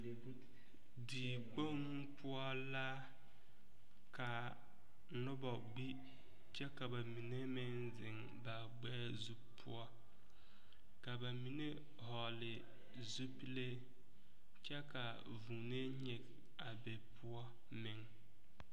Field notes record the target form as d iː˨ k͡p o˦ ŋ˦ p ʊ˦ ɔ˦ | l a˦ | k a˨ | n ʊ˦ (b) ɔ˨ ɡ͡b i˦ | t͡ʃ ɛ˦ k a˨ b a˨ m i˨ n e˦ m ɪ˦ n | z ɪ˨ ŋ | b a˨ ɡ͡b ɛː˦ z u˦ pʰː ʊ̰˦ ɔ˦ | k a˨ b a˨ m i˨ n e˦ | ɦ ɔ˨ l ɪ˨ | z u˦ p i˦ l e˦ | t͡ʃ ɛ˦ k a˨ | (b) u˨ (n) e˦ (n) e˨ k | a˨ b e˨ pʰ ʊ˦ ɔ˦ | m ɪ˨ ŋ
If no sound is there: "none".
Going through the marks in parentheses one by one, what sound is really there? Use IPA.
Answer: b, v, n, ɲ

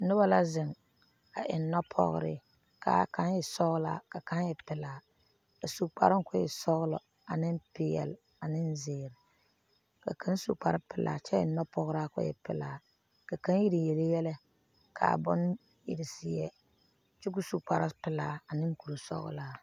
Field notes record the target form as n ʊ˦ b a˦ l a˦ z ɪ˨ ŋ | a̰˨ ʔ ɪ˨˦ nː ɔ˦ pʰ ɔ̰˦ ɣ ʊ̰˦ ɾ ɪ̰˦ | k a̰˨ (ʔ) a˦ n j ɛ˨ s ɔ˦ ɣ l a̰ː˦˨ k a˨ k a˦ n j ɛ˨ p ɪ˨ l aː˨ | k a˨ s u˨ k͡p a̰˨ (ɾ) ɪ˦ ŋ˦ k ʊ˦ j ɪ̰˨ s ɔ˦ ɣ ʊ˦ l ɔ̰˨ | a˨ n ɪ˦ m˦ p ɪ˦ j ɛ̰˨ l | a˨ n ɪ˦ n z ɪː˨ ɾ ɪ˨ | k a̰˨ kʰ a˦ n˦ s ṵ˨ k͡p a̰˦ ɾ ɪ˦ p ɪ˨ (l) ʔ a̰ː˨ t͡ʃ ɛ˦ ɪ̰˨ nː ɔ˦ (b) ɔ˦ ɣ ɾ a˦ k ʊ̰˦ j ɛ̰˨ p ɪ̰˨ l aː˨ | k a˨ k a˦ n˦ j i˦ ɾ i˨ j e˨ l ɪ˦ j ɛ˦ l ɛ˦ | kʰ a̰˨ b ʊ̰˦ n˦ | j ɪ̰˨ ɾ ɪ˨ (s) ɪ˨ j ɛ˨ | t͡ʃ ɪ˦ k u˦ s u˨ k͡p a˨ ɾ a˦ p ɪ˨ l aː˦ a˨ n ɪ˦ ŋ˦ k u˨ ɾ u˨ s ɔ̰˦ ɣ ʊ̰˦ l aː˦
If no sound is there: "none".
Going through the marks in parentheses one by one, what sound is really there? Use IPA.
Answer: k, ɾ, l, p, s

